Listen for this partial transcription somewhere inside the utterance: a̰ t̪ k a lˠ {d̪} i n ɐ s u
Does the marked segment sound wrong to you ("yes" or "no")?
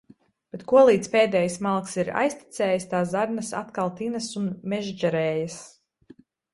yes